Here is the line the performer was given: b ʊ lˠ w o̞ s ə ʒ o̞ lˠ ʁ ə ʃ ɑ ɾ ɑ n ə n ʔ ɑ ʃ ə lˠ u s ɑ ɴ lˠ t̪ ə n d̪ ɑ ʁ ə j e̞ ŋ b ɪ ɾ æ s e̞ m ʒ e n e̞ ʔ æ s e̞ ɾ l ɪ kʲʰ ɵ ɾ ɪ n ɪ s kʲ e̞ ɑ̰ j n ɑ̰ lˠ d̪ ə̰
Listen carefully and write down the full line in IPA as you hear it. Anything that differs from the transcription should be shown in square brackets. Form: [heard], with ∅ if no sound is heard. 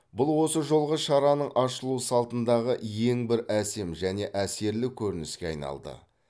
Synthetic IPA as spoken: b ʊ lˠ w o̞ s ə ʒ o̞ lˠ ʁ ə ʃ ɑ ɾ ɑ n ə [ɴ] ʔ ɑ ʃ ə lˠ u s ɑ [∅] lˠ t̪ ə n d̪ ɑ ʁ ə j e̞ ŋ b ɪ ɾ æ s e̞ m ʒ [æ] n e̞ ʔ æ s e̞ ɾ l ɪ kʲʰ ɵ ɾ ɪ n ɪ s kʲ e̞ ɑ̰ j n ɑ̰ lˠ d̪ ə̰